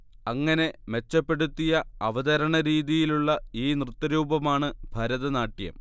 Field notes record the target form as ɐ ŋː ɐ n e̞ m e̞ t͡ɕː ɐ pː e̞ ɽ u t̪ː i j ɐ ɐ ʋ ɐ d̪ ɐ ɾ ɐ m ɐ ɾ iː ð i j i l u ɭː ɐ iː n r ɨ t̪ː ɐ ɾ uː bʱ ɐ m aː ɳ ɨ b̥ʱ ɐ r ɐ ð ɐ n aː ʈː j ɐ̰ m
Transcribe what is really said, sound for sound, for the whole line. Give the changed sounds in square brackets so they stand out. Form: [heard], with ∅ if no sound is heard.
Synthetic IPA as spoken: ɐ ŋː ɐ n e̞ m e̞ t͡ɕː ɐ pː e̞ ɽ u t̪ː i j ɐ ɐ ʋ ɐ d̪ ɐ ɾ ɐ [ɳ] ɐ ɾ iː ð i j i l u ɭː ɐ iː n r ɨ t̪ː ɐ ɾ uː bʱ ɐ m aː ɳ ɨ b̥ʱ ɐ [ɾ] ɐ ð ɐ n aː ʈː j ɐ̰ m